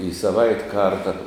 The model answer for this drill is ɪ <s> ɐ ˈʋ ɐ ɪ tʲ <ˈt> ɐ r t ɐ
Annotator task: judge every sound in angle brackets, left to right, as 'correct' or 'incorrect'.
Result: correct, incorrect: k

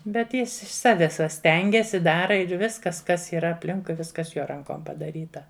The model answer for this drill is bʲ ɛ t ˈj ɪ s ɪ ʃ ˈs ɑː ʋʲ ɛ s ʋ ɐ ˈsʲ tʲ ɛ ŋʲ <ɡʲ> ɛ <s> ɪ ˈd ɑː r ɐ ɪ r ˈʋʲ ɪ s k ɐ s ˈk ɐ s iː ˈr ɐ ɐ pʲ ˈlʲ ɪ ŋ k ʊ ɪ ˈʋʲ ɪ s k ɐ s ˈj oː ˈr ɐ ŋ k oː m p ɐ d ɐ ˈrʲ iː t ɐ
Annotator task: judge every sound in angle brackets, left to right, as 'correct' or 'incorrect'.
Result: correct, correct

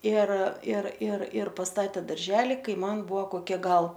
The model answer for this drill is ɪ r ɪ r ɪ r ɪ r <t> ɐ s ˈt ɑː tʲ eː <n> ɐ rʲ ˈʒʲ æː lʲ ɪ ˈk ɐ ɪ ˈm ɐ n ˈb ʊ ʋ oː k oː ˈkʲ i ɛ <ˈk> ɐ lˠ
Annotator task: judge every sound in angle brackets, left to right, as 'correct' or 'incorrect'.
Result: incorrect: p, incorrect: d, incorrect: ɡ

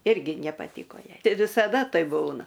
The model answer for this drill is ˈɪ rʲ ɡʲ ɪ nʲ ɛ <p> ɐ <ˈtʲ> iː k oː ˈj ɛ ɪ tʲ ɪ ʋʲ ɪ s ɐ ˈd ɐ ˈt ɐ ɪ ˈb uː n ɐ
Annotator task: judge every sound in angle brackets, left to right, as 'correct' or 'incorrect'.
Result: correct, correct

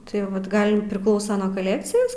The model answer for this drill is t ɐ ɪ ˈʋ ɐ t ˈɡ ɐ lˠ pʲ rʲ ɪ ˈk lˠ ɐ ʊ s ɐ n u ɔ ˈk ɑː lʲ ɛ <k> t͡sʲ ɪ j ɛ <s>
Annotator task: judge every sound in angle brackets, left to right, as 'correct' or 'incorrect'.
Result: correct, correct

